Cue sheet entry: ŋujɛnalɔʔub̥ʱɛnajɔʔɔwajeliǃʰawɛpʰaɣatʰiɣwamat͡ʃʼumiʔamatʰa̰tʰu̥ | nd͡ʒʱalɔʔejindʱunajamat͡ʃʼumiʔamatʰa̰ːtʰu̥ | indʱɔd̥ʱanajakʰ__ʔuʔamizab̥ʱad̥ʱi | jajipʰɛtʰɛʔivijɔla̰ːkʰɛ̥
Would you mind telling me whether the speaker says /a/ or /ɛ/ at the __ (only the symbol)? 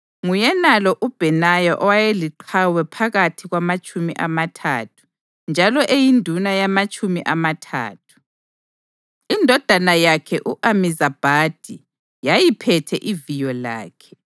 ɛ